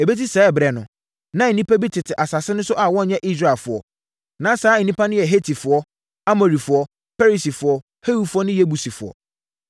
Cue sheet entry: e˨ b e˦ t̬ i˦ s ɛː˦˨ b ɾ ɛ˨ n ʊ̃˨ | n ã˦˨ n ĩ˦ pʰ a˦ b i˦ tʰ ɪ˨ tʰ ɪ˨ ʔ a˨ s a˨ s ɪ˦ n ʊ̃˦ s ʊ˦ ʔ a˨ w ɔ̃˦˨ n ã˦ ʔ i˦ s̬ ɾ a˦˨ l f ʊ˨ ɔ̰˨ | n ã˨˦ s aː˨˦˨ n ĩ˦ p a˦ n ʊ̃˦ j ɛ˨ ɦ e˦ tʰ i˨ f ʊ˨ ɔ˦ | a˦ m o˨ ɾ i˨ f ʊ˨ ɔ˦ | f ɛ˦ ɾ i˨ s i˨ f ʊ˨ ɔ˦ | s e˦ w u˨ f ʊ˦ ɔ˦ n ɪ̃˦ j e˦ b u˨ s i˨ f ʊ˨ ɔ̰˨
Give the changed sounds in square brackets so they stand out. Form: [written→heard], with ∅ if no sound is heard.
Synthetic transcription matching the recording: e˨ b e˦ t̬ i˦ s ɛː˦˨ b ɾ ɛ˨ n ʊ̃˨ | n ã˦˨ n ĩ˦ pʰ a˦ b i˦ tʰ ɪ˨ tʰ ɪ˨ ʔ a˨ s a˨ s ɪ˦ n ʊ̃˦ s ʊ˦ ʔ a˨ w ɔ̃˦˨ [n→ɲ] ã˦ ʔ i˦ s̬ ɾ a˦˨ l f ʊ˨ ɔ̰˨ | n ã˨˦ s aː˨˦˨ n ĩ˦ p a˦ n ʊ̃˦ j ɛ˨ ɦ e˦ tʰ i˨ f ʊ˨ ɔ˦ | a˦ m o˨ ɾ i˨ f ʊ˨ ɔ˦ | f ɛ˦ ɾ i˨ s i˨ f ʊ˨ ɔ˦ | [s→h] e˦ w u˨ f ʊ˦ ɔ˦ n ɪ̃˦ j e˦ b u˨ s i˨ f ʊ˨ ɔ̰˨